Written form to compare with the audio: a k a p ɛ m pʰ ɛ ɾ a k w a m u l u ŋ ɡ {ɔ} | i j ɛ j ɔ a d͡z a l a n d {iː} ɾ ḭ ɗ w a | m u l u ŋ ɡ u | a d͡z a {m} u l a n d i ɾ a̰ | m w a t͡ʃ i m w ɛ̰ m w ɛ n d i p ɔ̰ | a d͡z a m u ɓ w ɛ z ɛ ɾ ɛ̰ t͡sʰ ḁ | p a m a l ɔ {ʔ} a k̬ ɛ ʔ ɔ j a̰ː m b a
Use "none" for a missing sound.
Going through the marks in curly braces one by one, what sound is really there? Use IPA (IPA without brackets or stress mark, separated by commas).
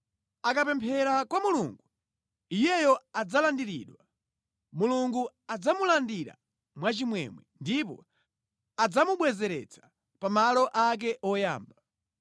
u, i, m, ʔ